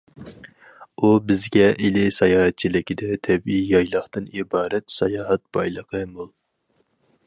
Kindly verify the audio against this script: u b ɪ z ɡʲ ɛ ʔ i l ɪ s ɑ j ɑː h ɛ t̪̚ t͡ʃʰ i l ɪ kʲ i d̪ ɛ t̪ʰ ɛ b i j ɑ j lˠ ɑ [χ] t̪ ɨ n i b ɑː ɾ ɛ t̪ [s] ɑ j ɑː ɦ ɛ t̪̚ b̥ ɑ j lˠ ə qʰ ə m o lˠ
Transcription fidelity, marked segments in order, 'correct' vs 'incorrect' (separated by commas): correct, correct